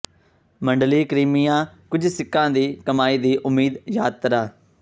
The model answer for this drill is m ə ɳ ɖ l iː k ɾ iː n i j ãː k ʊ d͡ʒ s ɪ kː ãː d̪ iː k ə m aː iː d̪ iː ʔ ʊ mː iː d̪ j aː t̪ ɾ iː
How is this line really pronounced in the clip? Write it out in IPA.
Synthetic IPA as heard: m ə ɳ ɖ l iː k ɾ iː m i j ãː k ʊ d͡ʒ s ɪ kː ãː d̪ iː k ə m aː iː d̪ iː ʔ ʊ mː iː d̪ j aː t̪ ɾ aː